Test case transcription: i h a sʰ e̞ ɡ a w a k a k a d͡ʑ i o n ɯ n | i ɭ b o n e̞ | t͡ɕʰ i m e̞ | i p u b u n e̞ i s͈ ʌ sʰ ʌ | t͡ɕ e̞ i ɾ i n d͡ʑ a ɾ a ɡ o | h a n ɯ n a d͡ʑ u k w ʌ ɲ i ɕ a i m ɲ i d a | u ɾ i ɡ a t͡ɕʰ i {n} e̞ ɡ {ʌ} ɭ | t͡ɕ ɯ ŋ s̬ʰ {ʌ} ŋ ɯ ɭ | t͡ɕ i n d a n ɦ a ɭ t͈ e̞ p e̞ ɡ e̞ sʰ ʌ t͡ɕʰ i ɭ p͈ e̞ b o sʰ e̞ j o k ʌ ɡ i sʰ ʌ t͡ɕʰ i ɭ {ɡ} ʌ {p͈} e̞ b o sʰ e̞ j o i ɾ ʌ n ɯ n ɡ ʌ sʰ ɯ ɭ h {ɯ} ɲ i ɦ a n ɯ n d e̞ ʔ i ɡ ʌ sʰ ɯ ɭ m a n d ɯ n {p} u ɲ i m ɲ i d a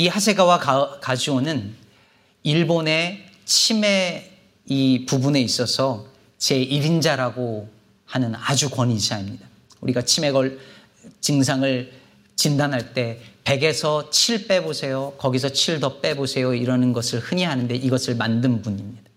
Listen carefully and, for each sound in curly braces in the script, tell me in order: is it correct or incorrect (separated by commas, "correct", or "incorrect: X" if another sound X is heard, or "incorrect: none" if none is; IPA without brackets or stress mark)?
incorrect: m, correct, incorrect: a, incorrect: d, correct, correct, incorrect: b